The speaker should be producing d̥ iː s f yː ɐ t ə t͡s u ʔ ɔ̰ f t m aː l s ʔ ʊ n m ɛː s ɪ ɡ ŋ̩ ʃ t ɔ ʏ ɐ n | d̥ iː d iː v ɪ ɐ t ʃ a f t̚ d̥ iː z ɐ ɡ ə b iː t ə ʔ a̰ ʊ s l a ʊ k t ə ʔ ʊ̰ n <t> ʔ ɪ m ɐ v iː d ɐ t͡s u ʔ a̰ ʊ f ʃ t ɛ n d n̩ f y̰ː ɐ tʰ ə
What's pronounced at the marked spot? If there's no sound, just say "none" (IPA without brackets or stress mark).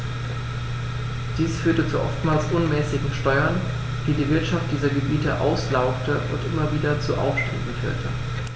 t